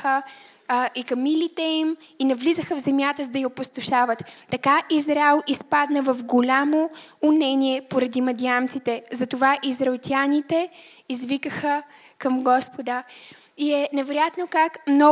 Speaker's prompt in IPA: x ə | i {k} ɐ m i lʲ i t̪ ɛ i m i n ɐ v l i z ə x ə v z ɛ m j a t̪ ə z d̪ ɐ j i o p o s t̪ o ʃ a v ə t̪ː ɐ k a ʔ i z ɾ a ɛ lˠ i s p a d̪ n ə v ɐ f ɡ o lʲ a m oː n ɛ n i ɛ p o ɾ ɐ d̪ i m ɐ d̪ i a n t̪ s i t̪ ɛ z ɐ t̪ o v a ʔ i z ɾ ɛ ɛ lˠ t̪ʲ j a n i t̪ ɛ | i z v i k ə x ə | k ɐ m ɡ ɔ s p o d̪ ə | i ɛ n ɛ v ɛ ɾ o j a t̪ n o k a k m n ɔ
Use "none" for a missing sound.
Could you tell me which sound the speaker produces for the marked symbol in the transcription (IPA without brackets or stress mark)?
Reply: k